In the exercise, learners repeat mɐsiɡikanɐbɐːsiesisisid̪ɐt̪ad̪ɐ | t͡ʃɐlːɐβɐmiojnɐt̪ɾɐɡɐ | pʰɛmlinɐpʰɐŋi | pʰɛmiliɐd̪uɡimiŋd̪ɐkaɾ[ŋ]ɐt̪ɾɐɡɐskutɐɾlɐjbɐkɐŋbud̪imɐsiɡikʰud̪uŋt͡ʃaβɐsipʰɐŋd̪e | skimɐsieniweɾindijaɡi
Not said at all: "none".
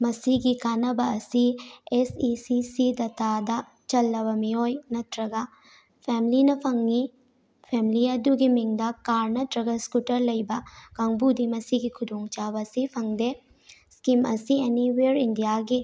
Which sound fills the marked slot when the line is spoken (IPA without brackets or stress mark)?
n